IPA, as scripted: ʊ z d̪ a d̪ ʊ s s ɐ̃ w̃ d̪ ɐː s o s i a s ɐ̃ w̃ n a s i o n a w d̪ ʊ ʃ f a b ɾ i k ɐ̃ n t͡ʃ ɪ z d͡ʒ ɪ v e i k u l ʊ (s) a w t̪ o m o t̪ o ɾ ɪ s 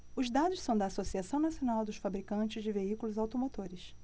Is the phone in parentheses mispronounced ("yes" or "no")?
yes